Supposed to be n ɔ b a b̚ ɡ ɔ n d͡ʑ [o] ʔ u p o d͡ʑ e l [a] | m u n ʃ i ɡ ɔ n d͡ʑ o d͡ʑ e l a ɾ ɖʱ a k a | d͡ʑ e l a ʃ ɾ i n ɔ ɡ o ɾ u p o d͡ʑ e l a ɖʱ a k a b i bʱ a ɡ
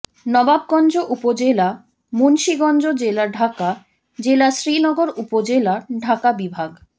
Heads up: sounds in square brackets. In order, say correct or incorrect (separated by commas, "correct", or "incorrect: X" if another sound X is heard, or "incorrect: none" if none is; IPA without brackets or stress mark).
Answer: correct, correct